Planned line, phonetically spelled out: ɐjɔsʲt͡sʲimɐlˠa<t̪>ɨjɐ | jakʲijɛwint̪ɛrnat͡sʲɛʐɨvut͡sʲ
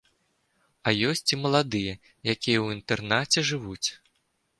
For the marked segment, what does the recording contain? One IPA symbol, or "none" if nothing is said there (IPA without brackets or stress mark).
d̪